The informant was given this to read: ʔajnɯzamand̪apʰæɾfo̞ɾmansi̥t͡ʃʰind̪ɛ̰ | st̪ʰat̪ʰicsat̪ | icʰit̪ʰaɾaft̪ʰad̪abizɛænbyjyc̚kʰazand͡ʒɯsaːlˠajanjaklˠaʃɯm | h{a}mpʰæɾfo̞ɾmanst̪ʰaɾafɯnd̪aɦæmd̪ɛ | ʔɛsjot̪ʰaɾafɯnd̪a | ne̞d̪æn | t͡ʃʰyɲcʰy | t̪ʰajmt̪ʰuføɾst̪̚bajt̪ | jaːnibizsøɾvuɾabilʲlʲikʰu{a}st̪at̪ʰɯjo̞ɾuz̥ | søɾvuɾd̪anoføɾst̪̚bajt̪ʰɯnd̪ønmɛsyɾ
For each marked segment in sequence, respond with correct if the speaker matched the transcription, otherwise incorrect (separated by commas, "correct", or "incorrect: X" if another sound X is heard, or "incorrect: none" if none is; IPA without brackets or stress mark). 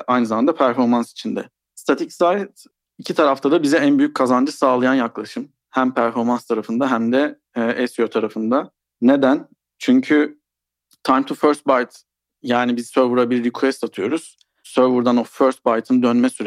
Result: incorrect: æ, incorrect: ɛ